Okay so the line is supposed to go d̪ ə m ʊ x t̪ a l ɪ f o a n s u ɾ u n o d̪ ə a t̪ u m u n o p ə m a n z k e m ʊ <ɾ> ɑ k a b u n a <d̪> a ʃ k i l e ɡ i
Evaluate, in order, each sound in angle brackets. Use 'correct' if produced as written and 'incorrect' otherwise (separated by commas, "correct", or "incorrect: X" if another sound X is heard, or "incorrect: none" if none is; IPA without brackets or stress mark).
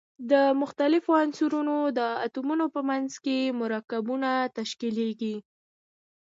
correct, incorrect: t̪